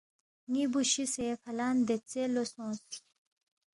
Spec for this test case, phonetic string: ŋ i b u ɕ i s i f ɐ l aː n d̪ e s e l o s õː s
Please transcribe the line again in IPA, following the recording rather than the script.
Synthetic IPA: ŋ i b u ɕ i s e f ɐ l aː n d̪ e t͡s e l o s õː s